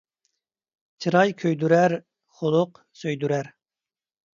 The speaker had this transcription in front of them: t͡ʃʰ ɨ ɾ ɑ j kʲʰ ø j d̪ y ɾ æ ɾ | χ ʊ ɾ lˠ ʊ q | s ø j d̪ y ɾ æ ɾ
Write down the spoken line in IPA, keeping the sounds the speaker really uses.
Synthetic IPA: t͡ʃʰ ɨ ɾ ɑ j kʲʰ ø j d̪ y ɾ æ ɾ | χ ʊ lˠ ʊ q | s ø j d̪ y ɾ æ ɾ